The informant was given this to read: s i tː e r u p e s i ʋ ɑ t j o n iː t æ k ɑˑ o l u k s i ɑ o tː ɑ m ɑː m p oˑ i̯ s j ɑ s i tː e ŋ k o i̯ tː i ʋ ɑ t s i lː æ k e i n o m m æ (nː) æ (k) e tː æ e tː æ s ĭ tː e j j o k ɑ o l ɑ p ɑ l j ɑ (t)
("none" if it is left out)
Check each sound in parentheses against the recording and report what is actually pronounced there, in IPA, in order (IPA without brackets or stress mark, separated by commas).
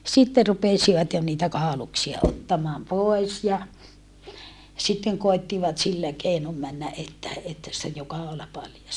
nː, ʔ, s